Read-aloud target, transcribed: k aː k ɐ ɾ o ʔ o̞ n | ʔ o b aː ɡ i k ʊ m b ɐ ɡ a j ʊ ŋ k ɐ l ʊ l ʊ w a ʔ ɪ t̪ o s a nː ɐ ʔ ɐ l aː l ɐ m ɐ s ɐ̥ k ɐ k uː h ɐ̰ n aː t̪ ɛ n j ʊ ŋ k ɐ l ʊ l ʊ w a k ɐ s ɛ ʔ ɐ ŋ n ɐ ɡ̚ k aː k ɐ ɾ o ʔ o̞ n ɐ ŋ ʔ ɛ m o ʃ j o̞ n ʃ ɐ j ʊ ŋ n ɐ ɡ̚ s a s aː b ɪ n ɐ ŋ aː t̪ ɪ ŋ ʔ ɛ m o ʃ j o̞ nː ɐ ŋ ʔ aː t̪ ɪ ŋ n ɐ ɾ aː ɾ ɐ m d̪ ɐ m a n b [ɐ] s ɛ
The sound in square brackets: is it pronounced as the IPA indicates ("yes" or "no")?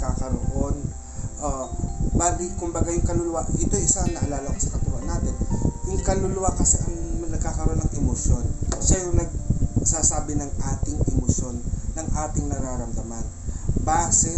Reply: no